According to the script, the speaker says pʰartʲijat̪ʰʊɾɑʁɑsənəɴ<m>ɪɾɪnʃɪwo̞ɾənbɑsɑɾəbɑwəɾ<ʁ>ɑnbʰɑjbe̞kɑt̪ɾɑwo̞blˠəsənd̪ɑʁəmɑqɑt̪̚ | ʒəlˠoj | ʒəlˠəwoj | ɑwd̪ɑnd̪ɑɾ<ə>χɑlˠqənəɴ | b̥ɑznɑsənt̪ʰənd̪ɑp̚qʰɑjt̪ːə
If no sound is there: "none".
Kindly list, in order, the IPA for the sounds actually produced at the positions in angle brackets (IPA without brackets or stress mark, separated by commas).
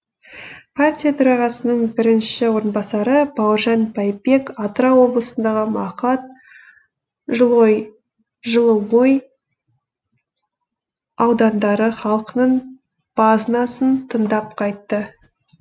b, ʒ, ə